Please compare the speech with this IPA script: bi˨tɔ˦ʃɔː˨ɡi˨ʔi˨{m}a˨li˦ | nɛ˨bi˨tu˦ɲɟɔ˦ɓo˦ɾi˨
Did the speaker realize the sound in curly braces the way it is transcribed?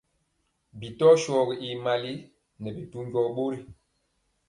yes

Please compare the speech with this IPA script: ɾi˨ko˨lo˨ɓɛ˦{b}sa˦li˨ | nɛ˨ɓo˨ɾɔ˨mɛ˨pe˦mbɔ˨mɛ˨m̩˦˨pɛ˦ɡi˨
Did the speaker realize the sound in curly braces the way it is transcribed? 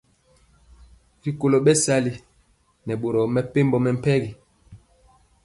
no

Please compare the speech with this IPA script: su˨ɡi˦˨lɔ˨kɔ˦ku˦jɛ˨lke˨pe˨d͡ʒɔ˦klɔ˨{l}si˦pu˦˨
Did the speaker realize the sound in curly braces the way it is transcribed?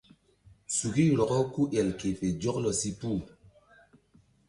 no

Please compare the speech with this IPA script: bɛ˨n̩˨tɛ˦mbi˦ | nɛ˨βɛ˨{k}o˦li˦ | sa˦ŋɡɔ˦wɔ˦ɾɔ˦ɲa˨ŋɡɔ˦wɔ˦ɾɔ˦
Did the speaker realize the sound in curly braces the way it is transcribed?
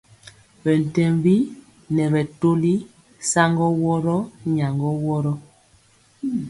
no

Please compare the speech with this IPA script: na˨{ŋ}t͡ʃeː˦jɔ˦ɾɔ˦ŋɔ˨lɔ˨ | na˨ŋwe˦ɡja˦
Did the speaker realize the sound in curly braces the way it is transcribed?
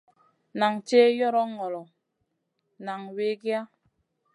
yes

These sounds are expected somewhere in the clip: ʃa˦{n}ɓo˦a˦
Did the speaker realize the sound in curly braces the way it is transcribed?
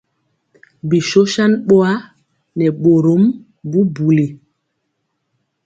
yes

